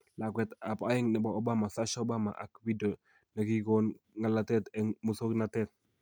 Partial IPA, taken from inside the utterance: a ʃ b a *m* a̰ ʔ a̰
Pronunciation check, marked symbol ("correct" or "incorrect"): correct